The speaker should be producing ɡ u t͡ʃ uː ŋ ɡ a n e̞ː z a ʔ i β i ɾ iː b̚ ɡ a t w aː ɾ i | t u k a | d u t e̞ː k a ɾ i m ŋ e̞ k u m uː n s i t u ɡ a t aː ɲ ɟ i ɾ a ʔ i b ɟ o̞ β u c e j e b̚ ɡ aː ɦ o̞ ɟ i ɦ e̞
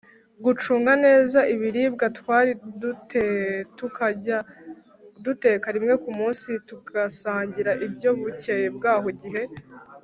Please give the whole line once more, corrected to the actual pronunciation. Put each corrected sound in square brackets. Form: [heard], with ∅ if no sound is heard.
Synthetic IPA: ɡ u t͡ʃ uː ŋ ɡ a n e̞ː z a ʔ i β i ɾ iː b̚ ɡ a t w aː ɾ i | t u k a | d u t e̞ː k a ɾ i m ŋ e̞ k u m uː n s i t u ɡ a [s] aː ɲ ɟ i ɾ a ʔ i b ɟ o̞ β u c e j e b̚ ɡ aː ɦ o̞ ɟ i ɦ e̞

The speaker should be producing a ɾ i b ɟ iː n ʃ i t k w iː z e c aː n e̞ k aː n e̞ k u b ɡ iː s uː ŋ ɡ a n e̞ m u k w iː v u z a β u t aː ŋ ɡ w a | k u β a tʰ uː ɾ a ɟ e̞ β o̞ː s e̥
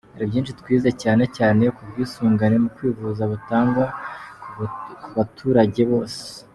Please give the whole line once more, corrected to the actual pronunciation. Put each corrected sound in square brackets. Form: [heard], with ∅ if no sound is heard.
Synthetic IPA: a ɾ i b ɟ iː n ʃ i t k w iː z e c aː n e̞ [c] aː n e̞ k u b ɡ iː s uː ŋ ɡ a n e̞ m u k w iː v u z a β u t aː ŋ ɡ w a | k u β a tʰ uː ɾ a ɟ e̞ β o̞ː s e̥

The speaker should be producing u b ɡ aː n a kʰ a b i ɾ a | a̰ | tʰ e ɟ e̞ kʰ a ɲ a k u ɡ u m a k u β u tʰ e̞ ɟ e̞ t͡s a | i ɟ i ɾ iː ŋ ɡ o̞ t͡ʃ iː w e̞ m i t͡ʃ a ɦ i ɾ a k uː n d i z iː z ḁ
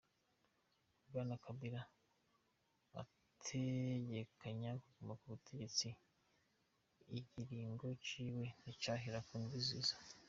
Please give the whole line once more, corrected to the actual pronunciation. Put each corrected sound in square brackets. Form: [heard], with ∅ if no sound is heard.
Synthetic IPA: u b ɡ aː n a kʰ a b i ɾ a | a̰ | tʰ e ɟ e̞ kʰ a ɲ a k u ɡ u m a k u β u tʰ e̞ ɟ e̞ t͡s [i] | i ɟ i ɾ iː ŋ ɡ o̞ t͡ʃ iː w e̞ [n] i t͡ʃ a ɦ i ɾ a k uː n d i z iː z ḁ

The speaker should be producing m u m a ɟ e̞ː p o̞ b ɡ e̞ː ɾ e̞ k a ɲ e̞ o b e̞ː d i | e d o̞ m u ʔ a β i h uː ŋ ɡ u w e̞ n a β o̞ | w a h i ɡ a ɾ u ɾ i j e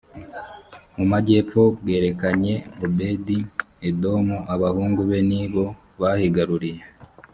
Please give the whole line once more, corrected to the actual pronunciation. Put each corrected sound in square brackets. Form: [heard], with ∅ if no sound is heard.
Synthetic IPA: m u m a ɟ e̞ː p o̞ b ɡ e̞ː ɾ e̞ k a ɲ e̞ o b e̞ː d i | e d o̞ m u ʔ a β [a] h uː ŋ ɡ u [β] e̞ n [i] β o̞ | [β] a h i ɡ a ɾ u ɾ i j e

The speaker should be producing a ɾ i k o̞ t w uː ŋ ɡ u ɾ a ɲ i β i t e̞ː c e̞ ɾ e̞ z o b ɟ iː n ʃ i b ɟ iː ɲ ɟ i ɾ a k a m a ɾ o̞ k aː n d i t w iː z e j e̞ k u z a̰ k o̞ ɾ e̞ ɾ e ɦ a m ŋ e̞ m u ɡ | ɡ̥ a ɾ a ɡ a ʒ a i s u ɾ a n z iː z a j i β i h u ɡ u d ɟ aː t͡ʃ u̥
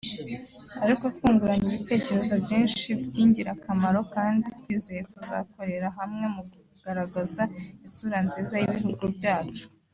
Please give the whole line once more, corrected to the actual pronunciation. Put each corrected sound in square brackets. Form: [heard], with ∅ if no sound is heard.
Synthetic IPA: a ɾ i k o̞ t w uː ŋ ɡ u ɾ a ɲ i β i t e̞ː c e̞ ɾ e̞ z o b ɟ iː n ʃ i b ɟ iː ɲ ɟ i ɾ a k a m a ɾ o̞ k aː n d i t w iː z e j e̞ k u z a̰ k o̞ ɾ e̞ ɾ [a] ɦ a m ŋ e̞ m u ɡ | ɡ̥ a ɾ a ɡ a [z] a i s u ɾ a n z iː z a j i β i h u ɡ u [b] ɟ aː t͡ʃ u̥

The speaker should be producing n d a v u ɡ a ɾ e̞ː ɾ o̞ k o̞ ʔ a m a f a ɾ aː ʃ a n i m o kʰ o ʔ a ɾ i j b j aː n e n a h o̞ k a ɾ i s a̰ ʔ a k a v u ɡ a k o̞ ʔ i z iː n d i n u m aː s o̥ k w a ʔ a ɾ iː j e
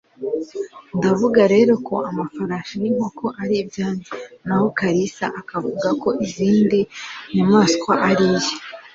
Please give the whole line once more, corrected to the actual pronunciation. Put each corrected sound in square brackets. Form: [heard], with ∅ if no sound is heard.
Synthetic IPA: n d a v u ɡ a ɾ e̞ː ɾ o̞ k o̞ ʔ a m a f a ɾ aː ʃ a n i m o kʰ o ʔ a ɾ i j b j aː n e n a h o̞ k a ɾ i s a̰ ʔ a k a v u ɡ a k o̞ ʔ i z iː n d i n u m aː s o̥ k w a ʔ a ɾ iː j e

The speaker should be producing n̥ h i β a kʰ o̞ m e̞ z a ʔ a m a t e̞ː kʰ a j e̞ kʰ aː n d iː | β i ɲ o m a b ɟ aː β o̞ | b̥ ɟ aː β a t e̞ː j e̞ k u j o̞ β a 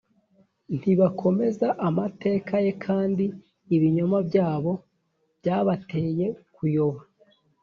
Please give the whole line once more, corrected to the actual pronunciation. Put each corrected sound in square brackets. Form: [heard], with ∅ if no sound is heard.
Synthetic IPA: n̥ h i β a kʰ o̞ m e̞ z a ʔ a m a t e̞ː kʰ a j e̞ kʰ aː n d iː | β i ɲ o m a b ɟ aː β o̞ | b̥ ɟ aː β a t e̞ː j e̞ k u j o̞ β a

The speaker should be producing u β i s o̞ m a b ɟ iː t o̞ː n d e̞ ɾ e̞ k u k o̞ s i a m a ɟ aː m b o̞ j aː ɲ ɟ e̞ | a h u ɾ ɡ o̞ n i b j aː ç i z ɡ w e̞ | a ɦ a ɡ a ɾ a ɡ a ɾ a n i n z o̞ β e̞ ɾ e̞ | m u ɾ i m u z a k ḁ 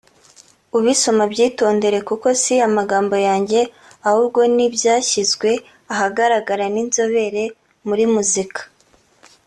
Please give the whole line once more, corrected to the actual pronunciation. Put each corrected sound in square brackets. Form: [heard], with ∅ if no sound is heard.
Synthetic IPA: u β i s o̞ m a b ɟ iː t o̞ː n d e̞ ɾ e̞ k u k o̞ s i a m a [ɡ] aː m b o̞ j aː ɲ ɟ e̞ | a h u ɾ ɡ o̞ n i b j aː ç i z ɡ w e̞ | a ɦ a ɡ a ɾ a ɡ a ɾ a n i n z o̞ β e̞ ɾ e̞ | m u ɾ i m u z [i] k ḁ

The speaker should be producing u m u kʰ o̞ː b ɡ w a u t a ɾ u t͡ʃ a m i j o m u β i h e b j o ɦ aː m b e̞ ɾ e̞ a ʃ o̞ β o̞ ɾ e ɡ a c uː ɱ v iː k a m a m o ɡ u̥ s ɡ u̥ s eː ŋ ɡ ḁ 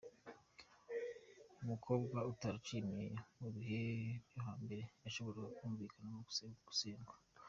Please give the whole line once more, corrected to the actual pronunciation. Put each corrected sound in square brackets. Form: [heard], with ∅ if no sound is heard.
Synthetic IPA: u m u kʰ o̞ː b ɡ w a u t a ɾ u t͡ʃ [i] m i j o m u β i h e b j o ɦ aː m b e̞ ɾ e̞ a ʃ o̞ β o̞ ɾ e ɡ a [k] uː ɱ v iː k a [n] a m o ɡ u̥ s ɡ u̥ s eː ŋ ɡ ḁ

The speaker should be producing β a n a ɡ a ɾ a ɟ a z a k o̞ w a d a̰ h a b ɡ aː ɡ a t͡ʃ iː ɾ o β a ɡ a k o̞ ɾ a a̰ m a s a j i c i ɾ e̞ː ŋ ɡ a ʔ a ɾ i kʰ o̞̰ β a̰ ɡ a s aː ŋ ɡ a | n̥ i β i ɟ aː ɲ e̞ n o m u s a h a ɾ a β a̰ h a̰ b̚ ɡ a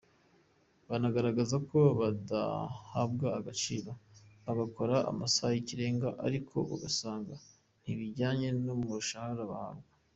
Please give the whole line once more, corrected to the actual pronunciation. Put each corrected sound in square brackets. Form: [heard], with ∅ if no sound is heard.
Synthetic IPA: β a n a ɡ a ɾ a [ɡ] a z a k o̞ [β] a d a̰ h a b ɡ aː ɡ a t͡ʃ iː ɾ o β a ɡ a k o̞ ɾ a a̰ m a s a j i c i ɾ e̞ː ŋ ɡ a ʔ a ɾ i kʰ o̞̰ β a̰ ɡ a s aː ŋ ɡ a | n̥ i β i ɟ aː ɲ e̞ n o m u [ʃ] a h a ɾ a β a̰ h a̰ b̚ ɡ a

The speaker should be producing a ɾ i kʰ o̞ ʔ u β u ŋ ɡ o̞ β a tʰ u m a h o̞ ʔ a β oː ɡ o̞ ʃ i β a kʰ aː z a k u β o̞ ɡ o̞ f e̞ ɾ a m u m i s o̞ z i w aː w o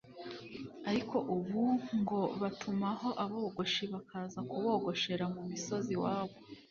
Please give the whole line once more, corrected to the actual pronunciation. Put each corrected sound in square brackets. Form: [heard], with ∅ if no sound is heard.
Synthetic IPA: a ɾ i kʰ o̞ ʔ u β u ŋ ɡ o̞ β a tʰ u m a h o̞ ʔ a β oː ɡ o̞ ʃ i β a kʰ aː z a k u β o̞ ɡ o̞ [ʃ] e̞ ɾ a m u m i s o̞ z i w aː [β] o

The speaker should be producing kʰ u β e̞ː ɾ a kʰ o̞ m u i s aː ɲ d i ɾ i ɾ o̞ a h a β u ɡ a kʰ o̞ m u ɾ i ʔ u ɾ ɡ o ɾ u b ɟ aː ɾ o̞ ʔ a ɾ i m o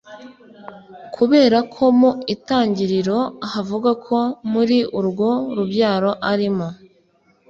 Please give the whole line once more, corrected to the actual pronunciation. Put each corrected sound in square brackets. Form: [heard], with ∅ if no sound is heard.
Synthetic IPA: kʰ u β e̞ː ɾ a kʰ o̞ m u i [t] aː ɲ [ɟ] i ɾ i ɾ o̞ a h a [v] u ɡ a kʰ o̞ m u ɾ i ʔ u ɾ ɡ o ɾ u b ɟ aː ɾ o̞ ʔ a ɾ i m o

